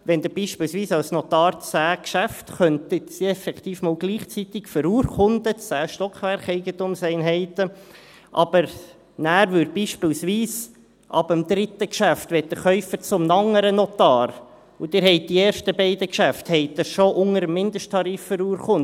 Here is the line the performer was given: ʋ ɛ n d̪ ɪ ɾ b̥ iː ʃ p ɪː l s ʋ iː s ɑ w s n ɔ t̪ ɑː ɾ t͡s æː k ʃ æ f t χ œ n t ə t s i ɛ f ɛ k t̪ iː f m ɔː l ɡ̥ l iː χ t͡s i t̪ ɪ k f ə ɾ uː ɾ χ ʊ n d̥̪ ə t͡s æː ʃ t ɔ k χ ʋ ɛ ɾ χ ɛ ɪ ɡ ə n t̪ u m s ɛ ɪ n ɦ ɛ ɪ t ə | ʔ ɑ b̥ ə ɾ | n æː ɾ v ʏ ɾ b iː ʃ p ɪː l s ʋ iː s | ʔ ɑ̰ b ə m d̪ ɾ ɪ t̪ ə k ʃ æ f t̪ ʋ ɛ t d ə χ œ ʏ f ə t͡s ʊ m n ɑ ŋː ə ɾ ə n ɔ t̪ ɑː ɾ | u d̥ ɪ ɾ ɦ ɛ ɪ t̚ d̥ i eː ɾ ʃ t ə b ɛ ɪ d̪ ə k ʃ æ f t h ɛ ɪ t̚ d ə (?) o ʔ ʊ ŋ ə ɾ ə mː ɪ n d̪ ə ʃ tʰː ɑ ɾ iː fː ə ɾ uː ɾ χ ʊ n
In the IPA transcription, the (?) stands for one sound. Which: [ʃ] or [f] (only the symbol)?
ʃ